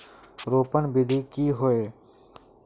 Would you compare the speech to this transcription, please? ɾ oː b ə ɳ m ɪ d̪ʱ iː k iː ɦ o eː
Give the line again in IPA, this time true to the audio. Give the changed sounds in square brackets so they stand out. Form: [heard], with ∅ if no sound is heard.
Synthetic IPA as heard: ɾ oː [p] ə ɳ [b] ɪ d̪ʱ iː k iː ɦ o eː